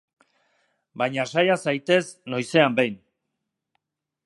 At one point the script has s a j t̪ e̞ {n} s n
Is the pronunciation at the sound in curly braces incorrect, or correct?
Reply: incorrect